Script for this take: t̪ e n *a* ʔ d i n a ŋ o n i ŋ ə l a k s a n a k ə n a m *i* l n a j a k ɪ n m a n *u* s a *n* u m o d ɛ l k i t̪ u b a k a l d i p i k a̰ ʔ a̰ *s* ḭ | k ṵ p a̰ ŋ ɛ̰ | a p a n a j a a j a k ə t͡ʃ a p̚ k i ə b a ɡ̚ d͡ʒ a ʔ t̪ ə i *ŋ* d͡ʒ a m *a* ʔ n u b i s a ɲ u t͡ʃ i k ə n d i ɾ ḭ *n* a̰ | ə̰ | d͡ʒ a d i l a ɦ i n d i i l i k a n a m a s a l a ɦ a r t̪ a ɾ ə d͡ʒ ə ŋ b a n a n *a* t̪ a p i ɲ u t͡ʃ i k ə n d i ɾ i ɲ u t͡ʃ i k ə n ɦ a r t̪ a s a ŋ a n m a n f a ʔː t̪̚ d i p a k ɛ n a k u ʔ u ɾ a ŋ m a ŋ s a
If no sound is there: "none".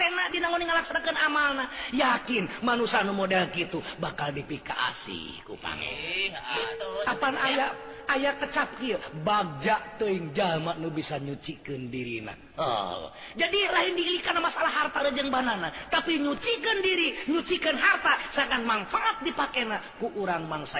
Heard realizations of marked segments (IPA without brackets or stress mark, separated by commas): a, a, u, n, s, ŋ, a, n, a